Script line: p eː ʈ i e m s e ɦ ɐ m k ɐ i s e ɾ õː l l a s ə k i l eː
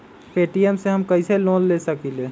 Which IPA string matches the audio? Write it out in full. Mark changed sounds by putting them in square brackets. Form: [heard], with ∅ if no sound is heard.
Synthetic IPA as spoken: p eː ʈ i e m s e ɦ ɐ m k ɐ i s e [l] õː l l [e] s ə k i l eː